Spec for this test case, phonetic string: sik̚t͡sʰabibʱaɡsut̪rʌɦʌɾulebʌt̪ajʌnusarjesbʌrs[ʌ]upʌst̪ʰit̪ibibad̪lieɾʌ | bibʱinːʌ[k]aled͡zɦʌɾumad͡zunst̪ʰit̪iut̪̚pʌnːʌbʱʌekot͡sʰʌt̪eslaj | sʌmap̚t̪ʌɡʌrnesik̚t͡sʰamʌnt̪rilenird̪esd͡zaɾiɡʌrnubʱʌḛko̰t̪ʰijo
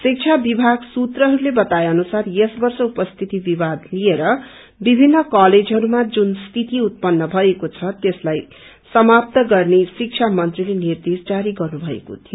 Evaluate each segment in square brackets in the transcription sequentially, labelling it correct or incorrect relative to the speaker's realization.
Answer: correct, correct

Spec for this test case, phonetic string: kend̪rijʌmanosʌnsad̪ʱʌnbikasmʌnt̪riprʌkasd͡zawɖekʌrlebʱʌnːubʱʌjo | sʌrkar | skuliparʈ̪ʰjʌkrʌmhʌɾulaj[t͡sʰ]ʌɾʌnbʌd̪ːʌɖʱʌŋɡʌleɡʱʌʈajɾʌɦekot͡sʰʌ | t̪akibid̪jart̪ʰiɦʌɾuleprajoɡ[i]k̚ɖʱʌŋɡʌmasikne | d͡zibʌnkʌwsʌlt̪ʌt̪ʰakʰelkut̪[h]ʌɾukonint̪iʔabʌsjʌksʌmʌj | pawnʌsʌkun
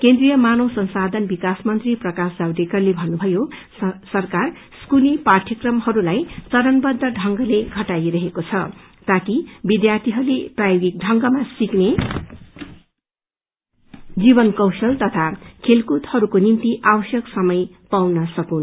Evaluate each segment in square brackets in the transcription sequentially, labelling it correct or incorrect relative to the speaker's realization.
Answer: incorrect: t͡s, correct, correct

